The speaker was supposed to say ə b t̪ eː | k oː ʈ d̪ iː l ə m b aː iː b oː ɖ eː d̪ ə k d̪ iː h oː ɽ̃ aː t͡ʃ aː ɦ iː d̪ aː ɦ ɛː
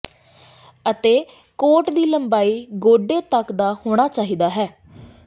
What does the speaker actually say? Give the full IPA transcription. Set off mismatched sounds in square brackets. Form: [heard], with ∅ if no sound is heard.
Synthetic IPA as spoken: ə [∅] t̪ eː | k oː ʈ d̪ iː l ə m b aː iː [ɡ] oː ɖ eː [t̪] ə k d̪ [aː] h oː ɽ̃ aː t͡ʃ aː ɦ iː d̪ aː ɦ ɛː